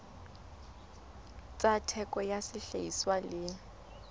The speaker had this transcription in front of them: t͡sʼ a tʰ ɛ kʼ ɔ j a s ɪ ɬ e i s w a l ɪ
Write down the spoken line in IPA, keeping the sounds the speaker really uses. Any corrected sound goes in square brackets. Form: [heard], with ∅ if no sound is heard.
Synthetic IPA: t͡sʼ a tʰ ɛ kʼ ɔ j a s ɪ ɬ e i s w a l ɪ